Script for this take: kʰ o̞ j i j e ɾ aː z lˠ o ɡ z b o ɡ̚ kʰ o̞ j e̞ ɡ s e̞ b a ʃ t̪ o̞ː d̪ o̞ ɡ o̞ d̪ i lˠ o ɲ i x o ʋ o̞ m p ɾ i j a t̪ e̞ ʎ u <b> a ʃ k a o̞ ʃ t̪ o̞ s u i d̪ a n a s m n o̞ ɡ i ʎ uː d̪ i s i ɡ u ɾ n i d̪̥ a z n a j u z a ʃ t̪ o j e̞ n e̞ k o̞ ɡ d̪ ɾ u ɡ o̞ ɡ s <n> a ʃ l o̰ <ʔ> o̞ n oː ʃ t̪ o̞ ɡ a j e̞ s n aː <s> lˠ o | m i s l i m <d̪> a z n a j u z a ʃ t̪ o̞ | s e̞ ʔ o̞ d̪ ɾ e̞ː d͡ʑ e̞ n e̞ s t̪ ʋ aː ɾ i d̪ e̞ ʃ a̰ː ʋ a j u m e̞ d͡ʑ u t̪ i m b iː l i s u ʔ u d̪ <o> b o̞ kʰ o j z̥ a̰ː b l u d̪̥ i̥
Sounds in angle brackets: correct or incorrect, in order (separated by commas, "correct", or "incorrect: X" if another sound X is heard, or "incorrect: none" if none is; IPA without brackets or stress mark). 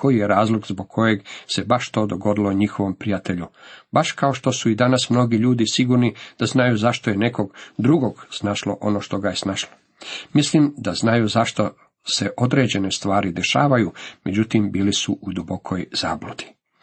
correct, correct, correct, incorrect: ʃ, correct, incorrect: u